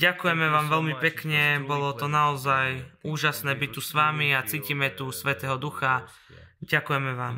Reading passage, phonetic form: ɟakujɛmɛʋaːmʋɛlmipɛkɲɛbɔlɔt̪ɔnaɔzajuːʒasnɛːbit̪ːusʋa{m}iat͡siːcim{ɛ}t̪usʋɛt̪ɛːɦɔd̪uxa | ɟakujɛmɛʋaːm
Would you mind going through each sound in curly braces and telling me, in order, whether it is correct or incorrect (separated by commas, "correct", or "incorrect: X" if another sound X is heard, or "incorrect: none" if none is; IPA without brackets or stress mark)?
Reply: correct, correct